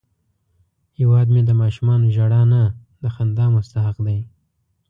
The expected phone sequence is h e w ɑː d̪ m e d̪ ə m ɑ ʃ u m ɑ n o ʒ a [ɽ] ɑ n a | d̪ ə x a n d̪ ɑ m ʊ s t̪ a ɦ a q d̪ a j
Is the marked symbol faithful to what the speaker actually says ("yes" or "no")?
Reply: yes